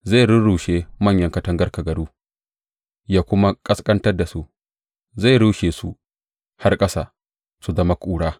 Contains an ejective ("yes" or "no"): yes